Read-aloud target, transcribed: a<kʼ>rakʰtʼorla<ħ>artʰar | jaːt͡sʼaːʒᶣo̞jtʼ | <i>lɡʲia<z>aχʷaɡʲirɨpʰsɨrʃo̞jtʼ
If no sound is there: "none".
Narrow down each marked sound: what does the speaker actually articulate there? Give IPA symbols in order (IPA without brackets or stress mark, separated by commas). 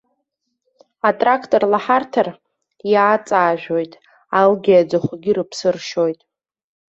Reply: tʼ, ħ, a, d͡z